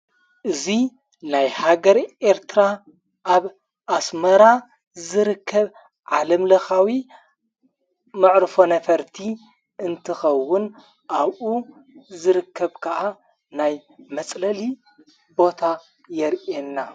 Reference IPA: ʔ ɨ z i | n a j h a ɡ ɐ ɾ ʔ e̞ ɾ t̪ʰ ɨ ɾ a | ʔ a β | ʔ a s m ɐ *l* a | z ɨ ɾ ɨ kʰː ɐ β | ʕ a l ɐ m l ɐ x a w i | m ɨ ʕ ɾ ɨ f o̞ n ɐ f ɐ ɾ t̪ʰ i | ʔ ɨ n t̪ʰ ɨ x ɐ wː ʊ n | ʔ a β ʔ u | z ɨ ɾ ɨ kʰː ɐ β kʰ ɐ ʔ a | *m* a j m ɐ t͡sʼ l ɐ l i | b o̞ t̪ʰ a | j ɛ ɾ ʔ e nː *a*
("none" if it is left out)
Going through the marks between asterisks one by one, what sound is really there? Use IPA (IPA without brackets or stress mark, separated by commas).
ɾ, n, a